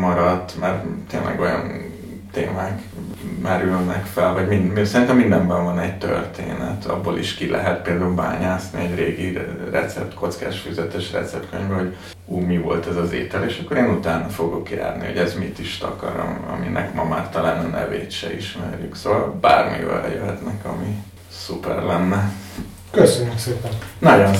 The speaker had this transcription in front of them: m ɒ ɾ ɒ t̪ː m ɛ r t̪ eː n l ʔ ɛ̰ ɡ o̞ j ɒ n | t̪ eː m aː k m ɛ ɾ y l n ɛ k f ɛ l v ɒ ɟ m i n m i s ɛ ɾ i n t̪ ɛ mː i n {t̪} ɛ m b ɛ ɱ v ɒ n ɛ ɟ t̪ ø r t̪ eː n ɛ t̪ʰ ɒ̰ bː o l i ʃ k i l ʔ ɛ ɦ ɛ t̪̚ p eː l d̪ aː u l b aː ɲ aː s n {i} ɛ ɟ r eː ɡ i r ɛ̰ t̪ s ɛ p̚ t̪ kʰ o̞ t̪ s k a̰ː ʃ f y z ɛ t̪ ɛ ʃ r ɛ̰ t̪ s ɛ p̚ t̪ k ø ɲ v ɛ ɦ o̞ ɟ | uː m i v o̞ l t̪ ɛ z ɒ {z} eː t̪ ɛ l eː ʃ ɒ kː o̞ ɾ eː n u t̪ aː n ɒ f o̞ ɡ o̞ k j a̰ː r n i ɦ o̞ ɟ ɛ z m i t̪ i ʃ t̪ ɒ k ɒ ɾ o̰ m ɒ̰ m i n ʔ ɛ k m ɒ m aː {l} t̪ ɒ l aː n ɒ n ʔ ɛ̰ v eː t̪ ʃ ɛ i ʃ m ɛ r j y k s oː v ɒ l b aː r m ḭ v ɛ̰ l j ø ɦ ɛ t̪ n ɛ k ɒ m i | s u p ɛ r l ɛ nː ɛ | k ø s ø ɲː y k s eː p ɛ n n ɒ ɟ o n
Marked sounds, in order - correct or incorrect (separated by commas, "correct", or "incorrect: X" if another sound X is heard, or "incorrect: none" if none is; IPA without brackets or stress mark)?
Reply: incorrect: d̪, correct, correct, incorrect: r